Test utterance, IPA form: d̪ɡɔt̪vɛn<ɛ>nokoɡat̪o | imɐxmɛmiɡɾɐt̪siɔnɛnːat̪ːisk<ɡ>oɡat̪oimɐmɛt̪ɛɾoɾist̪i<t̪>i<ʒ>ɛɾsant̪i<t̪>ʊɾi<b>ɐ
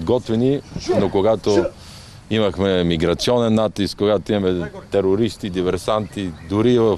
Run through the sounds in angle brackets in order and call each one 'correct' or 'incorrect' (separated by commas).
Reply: incorrect, incorrect, incorrect, incorrect, incorrect, incorrect